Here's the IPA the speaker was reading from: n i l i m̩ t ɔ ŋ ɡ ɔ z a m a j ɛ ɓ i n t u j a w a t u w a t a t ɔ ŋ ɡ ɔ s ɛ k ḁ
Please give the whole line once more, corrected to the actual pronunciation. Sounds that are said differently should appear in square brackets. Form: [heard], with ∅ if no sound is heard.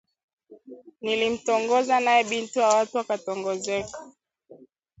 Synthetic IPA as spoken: n i l i m̩ t ɔ ŋ ɡ ɔ z a [n] a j ɛ ɓ i n t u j a w a t u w a [k] a t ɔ ŋ ɡ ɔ [z] ɛ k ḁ